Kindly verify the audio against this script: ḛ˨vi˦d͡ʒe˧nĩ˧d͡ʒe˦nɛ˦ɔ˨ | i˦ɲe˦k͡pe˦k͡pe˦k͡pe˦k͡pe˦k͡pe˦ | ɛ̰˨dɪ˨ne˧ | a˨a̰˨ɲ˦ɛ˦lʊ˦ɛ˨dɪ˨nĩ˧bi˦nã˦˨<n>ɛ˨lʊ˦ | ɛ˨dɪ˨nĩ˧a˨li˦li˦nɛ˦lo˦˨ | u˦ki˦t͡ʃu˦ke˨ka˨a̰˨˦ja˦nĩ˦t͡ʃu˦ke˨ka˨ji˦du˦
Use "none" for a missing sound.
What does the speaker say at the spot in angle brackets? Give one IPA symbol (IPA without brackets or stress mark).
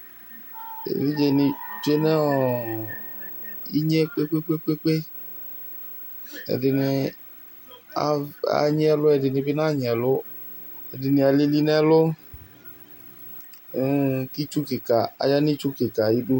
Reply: ɲ